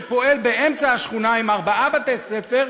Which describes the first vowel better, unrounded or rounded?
rounded